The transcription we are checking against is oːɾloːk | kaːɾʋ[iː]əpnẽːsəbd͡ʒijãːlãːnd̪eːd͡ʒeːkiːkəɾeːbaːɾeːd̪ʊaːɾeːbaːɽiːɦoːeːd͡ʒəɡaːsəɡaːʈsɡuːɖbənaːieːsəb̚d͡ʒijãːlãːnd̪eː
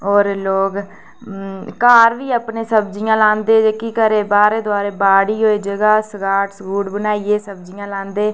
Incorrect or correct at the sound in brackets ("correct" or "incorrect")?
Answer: correct